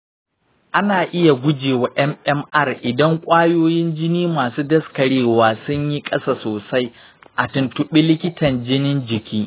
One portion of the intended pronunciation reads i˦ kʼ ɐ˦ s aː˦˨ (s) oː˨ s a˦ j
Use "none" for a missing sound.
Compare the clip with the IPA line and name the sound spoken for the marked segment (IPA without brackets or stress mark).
s